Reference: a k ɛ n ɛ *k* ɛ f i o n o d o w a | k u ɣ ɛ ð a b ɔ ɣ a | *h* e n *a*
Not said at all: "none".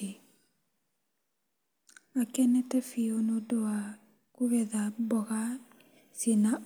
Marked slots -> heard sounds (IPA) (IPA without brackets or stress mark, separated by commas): t, s, a